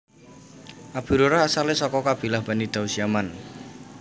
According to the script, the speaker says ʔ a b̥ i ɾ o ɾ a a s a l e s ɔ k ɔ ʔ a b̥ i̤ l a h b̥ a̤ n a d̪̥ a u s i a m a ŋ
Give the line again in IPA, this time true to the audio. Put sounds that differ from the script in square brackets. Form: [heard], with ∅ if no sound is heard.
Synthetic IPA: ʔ a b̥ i ɾ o ɾ a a s a l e s ɔ k ɔ [k] a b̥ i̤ l a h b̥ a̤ n [i] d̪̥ a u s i a m a [n]